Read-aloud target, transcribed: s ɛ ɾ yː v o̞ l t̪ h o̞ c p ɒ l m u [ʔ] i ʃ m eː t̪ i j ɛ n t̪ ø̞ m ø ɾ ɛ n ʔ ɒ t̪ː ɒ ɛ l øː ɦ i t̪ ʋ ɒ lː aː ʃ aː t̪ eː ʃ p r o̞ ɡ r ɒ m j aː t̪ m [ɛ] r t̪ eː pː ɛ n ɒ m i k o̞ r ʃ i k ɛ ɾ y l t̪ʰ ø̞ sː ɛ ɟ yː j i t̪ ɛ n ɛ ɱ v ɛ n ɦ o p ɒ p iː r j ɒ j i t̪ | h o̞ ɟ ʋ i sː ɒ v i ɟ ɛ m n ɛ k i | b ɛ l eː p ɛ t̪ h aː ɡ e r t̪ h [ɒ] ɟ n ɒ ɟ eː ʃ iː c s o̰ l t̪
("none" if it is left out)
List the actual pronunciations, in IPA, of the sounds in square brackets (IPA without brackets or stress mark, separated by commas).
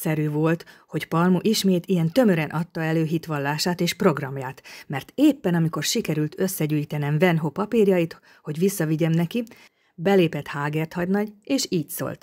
ʔ, ɛ, ɒ